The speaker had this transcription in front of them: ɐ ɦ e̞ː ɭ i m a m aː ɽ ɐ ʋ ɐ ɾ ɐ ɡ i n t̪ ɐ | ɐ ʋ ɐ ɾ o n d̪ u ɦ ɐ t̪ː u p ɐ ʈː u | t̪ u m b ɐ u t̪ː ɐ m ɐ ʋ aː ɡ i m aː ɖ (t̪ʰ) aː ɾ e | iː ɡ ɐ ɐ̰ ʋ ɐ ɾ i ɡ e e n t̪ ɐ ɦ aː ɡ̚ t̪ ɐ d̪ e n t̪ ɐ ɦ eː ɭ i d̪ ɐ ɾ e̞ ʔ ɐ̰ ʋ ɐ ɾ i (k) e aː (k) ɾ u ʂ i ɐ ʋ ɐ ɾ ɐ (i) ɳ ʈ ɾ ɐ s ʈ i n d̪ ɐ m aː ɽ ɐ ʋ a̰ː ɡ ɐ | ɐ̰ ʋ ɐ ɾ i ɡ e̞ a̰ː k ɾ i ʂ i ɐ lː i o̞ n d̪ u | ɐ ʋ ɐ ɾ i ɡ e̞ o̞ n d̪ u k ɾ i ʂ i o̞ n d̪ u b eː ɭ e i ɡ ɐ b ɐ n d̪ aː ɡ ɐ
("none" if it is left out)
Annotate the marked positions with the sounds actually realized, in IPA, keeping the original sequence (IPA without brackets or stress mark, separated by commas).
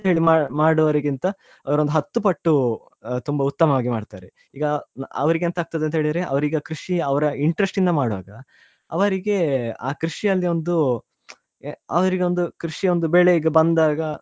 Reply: t̪, ɡ, k, i